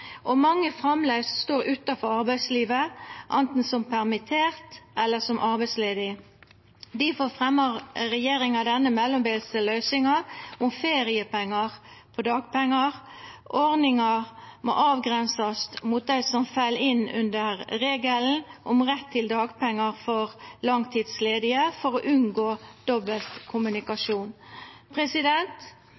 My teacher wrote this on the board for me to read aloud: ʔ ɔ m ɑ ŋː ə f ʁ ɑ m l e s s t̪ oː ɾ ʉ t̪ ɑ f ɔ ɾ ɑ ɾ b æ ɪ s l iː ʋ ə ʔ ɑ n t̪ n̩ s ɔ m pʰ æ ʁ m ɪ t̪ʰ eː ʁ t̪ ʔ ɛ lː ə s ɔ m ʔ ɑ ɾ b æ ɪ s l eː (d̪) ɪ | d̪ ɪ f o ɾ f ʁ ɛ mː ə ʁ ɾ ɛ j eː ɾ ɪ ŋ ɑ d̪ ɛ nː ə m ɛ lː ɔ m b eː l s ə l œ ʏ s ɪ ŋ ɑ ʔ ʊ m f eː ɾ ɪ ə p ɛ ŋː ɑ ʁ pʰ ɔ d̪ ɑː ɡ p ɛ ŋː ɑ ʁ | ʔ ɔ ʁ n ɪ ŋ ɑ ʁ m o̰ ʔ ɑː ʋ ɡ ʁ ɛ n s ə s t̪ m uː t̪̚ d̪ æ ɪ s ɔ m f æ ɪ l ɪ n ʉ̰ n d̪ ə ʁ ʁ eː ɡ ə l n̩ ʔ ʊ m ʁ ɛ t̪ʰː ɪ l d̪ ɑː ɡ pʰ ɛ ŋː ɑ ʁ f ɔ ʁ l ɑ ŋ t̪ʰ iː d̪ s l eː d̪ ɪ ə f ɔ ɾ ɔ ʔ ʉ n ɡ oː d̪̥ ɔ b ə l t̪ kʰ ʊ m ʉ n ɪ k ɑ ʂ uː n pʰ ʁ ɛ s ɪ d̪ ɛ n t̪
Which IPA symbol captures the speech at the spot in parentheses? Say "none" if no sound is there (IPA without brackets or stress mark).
d̪